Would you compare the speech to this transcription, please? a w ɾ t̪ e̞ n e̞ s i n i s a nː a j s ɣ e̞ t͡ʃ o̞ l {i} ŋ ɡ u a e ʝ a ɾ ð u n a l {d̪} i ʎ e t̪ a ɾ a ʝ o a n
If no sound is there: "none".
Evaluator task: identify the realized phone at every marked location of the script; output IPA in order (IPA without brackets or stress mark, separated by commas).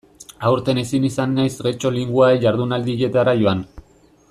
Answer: i, d̪